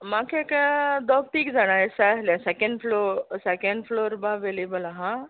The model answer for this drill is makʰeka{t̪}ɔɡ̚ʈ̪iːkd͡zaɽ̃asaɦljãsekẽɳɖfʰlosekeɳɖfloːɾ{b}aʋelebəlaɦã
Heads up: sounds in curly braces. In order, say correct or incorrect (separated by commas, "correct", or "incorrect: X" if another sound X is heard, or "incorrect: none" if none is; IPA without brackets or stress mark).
incorrect: d̪, correct